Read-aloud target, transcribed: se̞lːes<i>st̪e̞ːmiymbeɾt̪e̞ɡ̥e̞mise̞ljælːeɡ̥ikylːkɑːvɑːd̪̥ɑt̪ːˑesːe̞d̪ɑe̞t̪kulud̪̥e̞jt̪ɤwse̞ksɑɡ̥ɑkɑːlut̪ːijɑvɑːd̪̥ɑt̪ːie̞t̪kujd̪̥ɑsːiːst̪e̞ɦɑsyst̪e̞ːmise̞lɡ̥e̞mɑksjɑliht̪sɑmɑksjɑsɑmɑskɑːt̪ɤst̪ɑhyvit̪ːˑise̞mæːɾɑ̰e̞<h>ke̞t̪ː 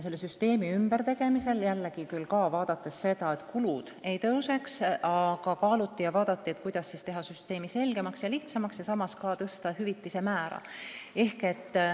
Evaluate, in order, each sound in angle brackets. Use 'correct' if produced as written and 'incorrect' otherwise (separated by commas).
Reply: incorrect, correct